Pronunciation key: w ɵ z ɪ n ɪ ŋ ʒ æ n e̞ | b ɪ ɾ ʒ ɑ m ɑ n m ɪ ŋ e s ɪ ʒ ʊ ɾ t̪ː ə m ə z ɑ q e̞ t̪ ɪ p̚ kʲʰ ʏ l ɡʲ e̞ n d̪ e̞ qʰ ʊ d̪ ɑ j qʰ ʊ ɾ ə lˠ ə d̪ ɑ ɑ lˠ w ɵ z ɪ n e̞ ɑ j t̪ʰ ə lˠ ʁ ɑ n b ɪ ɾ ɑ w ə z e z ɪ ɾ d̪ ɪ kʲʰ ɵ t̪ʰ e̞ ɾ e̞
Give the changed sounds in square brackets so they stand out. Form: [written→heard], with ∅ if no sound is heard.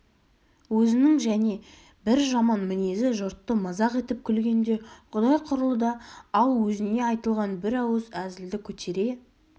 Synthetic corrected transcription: w ɵ z ɪ n ɪ ŋ ʒ æ n e̞ | b ɪ ɾ ʒ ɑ m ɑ n m ɪ [ŋ→n] e [s→z] ɪ ʒ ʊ ɾ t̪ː ə m [ə→ɑ] z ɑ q e̞ t̪ ɪ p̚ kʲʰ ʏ l ɡʲ e̞ n d̪ e̞ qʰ ʊ d̪ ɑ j qʰ ʊ ɾ ə lˠ ə d̪ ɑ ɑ lˠ w ɵ z ɪ n e̞ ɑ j [t̪ʰ→t̪] ə lˠ ʁ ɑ n b ɪ ɾ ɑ w ə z [e→æ] z ɪ [ɾ→l] d̪ ɪ kʲʰ ɵ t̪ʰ e̞ ɾ e̞